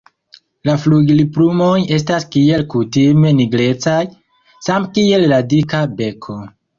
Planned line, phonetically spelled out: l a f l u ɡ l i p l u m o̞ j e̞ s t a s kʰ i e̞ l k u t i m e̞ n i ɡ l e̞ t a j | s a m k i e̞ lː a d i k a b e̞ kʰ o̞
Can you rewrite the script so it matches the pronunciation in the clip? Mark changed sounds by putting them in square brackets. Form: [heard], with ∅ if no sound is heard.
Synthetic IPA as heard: l a f l u ɡ l i p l u m o̞ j e̞ s t a s [k] i e̞ l k u t i m e̞ n i ɡ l e̞ [t͡s] a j | s a m k i e̞ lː a d i k a b e̞ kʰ o̞